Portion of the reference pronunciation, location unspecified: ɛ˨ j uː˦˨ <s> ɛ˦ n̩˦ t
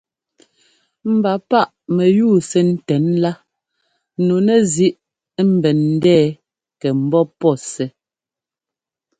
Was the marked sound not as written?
no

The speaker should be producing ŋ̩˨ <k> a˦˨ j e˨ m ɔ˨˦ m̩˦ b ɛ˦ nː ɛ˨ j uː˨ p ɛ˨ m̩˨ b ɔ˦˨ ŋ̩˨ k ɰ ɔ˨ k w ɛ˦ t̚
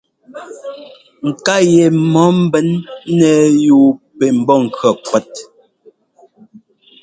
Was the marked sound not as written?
no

